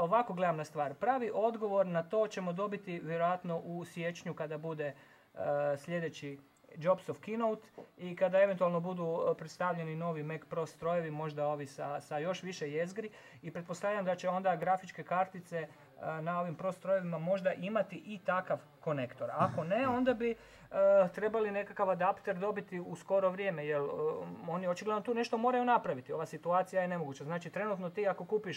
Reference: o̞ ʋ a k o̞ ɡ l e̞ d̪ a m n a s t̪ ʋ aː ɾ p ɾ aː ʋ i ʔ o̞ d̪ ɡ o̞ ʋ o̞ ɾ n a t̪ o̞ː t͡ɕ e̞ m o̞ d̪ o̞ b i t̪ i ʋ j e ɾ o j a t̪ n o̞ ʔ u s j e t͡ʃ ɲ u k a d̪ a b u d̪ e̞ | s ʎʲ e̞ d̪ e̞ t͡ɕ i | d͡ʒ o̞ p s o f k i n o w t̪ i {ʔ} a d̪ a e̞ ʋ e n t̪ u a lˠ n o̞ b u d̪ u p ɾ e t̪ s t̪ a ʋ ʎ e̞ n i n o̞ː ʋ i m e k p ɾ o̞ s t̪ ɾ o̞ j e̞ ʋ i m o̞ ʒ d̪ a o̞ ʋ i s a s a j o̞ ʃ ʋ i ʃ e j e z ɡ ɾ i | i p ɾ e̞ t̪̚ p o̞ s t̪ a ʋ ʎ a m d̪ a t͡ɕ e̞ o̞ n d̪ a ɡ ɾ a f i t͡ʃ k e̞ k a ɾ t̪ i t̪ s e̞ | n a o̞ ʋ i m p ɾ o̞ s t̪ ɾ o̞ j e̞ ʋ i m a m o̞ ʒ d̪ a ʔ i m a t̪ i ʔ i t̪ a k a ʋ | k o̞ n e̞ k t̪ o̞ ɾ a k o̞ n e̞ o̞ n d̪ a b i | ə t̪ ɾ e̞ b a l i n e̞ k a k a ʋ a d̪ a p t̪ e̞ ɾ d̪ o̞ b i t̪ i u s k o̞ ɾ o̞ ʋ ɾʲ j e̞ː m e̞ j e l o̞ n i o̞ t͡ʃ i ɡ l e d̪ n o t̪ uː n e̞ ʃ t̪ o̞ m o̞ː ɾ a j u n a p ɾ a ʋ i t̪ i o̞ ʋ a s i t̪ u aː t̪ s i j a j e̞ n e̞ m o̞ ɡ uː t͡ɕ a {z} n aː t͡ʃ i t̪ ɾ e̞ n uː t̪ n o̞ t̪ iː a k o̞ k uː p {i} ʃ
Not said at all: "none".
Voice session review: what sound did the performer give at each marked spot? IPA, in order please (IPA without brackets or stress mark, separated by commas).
k, z, i